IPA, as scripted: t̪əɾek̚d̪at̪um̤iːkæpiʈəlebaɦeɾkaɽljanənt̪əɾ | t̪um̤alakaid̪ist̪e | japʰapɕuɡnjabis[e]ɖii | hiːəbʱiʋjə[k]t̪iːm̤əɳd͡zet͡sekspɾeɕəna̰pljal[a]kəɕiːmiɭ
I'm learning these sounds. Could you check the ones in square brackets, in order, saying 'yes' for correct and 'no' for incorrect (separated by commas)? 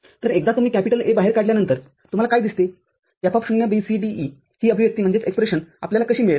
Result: no, yes, yes